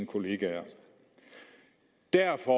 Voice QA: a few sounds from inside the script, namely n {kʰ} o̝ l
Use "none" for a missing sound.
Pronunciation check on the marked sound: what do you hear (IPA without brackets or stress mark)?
kʰ